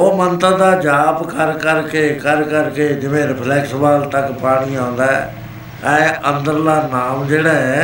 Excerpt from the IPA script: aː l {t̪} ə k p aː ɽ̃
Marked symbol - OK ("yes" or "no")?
yes